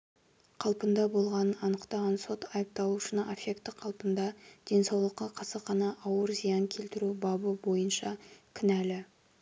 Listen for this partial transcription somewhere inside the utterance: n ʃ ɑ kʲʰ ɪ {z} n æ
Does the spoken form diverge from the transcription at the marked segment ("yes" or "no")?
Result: yes